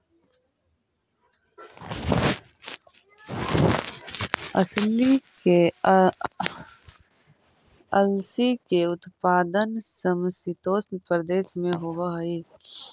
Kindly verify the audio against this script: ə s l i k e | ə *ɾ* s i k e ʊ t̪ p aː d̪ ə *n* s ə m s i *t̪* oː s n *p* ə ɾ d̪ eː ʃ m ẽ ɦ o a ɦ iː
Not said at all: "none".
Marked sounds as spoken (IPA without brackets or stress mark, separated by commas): l, n, t̪, p